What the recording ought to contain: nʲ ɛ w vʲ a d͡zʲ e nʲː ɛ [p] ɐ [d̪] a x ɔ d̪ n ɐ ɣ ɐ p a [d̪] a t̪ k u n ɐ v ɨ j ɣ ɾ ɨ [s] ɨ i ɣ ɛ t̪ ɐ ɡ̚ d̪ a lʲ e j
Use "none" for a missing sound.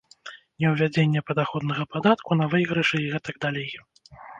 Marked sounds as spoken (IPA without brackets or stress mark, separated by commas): p, d̪, d̪, ʂ